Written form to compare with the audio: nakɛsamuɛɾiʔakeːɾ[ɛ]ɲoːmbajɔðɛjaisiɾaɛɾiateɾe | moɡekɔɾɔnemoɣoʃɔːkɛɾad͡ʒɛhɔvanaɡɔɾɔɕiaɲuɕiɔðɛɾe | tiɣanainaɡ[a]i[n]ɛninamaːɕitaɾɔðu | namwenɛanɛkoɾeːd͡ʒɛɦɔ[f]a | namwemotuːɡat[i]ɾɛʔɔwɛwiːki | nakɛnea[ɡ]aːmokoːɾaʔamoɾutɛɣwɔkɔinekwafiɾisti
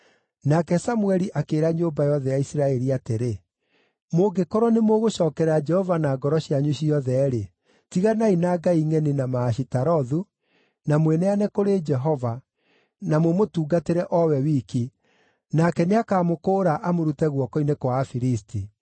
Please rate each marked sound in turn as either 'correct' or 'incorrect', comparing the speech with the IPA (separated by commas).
incorrect, correct, incorrect, incorrect, incorrect, incorrect